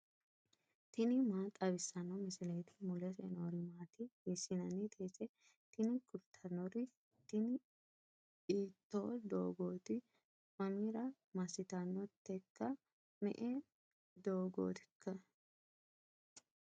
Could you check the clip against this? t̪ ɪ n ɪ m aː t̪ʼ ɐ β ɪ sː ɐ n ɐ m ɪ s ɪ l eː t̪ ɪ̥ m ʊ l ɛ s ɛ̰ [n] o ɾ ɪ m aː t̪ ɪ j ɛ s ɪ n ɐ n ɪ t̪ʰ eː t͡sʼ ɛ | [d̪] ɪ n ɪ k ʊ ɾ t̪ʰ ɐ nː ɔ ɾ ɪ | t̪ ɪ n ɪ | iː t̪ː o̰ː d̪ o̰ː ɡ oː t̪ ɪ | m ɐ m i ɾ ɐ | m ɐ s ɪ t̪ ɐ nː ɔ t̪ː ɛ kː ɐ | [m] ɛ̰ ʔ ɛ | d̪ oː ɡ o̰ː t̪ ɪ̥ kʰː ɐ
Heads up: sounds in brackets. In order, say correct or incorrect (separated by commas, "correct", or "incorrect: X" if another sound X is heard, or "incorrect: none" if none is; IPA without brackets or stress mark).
correct, incorrect: t̪, correct